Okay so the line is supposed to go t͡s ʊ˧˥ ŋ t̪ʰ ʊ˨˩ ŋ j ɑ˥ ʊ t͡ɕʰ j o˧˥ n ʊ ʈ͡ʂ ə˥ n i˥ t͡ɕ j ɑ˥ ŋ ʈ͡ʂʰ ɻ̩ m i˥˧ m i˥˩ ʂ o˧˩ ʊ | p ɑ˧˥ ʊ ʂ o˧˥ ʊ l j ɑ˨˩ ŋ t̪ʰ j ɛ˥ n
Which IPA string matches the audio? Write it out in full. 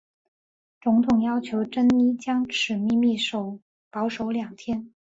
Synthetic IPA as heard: t͡s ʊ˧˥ ŋ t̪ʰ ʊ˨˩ ŋ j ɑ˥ ʊ t͡ɕʰ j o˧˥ ʊ ʈ͡ʂ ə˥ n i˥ t͡ɕ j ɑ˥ ŋ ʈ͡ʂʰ ɻ̩ m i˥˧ m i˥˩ ʂ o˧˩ ʊ | p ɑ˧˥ ʊ ʂ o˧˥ ʊ l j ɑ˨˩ ŋ t̪ʰ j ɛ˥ n